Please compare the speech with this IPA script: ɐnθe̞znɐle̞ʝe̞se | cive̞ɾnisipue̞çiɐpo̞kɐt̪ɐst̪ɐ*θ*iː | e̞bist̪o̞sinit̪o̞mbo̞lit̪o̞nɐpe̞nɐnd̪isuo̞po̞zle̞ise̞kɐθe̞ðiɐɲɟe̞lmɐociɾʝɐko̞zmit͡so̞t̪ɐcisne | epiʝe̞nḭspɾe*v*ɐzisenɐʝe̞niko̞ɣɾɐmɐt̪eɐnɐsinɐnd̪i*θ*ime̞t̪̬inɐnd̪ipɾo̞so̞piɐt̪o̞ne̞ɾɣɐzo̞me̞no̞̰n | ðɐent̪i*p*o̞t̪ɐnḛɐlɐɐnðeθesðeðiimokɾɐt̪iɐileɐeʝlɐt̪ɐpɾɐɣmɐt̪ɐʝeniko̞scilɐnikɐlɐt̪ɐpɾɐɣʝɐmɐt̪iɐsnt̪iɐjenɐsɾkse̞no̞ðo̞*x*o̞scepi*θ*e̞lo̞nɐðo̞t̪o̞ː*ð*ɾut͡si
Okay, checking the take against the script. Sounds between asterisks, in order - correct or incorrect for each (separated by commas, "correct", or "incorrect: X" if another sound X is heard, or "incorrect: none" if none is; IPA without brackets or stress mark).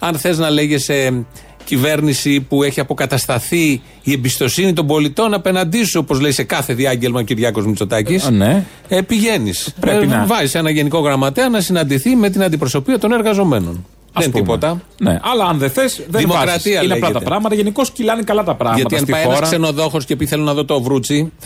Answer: correct, correct, correct, correct, correct, correct, incorrect: v